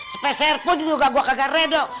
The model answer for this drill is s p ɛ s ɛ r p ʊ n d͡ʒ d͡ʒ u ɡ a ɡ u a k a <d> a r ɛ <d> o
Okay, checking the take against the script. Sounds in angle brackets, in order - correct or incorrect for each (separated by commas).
incorrect, correct